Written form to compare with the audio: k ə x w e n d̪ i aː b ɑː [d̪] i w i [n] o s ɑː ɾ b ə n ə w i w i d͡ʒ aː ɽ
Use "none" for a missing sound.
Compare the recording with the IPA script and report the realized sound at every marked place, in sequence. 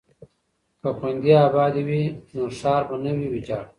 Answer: d̪, n

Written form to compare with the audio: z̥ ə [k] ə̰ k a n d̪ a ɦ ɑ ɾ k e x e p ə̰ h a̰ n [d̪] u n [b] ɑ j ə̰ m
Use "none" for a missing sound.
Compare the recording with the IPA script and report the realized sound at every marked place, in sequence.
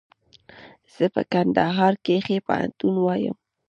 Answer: p, t̪, w

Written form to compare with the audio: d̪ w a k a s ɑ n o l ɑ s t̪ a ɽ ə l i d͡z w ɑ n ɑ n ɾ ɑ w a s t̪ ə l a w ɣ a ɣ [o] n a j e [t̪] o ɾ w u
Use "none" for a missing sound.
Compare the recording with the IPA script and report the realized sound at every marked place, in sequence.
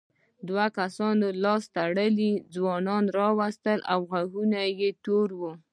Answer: u, t̪

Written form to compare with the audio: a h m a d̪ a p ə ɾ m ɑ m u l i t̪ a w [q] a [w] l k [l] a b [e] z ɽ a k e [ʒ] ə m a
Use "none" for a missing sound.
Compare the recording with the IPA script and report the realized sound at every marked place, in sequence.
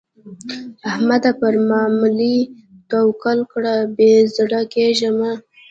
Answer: k, none, ɽ, e, ʒ

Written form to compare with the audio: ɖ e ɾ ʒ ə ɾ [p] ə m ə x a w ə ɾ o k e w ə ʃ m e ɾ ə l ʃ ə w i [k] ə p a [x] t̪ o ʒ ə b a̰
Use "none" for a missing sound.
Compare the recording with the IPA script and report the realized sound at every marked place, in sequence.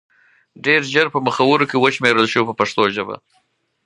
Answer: p, p, ʂ

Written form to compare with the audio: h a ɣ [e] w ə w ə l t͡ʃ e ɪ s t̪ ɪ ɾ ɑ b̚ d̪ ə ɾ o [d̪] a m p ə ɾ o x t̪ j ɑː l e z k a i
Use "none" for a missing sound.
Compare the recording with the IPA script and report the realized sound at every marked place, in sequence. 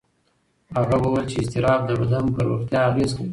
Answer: a, d̪

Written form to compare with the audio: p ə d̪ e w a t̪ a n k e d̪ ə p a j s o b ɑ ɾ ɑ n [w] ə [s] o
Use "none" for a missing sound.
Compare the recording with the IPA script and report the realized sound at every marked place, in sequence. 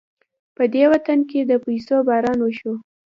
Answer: w, ʃ

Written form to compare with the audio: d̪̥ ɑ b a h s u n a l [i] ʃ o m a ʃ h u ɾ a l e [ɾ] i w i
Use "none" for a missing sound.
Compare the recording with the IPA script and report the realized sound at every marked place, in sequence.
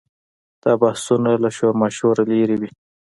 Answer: a, ɾ

